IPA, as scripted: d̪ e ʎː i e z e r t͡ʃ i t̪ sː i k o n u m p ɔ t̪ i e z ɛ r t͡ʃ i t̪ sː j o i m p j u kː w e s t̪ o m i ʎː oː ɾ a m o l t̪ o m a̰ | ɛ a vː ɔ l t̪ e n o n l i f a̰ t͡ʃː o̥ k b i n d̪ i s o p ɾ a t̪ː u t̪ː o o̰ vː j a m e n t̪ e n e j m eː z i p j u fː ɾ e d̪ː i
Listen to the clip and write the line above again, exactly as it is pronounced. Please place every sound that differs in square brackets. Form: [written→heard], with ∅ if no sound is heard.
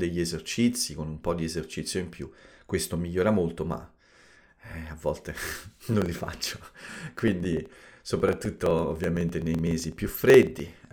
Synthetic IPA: d̪ e ʎː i e z e r t͡ʃ i t̪ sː i k o n u m p ɔ [t̪→d̪] i e z [ɛ→e] r t͡ʃ i t̪ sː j o i m p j u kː w e s t̪ o m i ʎː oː ɾ a m o l t̪ o m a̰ | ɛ a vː ɔ l t̪ e n o n l i f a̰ t͡ʃː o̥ k [b→w] i n d̪ i s o p ɾ a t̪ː u t̪ː o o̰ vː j a m e n t̪ e n e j m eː z i p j u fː ɾ e d̪ː i